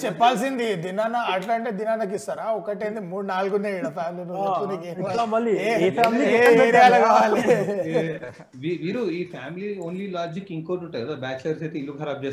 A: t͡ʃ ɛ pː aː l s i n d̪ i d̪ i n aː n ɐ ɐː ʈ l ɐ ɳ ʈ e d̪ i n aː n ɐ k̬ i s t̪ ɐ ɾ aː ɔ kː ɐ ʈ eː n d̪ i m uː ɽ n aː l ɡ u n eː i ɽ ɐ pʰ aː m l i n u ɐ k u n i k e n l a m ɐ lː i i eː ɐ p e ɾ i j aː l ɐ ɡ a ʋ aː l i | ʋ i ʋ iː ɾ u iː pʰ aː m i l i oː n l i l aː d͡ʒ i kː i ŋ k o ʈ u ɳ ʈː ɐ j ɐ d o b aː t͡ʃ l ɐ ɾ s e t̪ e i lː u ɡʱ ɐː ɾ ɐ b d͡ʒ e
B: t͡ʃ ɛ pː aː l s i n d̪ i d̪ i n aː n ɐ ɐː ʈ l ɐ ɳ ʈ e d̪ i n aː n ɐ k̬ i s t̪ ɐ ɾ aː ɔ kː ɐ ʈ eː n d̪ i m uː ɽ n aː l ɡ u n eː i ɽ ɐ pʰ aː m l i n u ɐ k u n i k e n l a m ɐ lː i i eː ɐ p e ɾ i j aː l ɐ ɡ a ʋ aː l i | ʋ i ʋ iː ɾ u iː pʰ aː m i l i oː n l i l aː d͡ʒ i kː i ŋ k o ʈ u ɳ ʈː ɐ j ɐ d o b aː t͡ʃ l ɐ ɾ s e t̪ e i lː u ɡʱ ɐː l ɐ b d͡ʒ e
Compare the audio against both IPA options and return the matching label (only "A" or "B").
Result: A